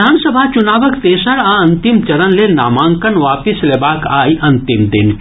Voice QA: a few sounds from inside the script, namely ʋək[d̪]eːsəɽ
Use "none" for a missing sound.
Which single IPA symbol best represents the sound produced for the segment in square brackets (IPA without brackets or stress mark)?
t̪